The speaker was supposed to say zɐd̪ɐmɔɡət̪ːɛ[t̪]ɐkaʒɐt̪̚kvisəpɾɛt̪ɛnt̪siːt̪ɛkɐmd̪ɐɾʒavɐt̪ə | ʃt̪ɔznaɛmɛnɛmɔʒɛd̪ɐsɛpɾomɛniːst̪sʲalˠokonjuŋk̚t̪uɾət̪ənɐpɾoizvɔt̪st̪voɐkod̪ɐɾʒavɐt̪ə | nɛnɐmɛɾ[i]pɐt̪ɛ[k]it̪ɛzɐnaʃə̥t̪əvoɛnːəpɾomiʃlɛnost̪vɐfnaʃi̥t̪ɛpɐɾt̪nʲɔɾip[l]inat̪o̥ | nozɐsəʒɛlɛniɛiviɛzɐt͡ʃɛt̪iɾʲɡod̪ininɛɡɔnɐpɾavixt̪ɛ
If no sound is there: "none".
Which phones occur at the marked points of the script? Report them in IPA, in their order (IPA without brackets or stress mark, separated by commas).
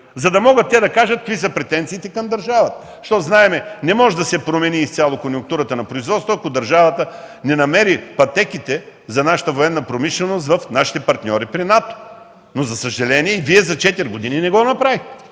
d̪, i, k, ɾ